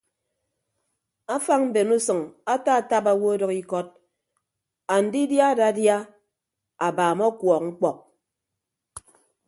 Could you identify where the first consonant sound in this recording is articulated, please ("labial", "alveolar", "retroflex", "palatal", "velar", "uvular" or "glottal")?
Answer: labial